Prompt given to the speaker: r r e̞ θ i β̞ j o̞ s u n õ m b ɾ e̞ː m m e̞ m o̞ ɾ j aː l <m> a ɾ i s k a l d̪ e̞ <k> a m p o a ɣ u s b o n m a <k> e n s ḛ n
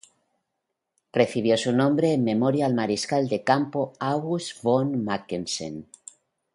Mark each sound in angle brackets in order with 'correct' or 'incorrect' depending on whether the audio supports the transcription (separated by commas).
correct, correct, correct